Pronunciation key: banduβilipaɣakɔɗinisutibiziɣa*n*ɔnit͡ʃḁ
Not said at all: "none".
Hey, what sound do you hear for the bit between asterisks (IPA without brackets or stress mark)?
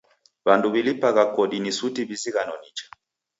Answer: n